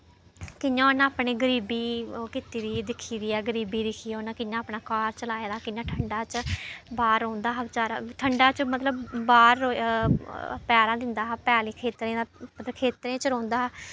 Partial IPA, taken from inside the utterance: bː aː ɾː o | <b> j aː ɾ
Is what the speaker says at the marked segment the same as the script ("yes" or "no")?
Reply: no